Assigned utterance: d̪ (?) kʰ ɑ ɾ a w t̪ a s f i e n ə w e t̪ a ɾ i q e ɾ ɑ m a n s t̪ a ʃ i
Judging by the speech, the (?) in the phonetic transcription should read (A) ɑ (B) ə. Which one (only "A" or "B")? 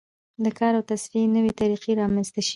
B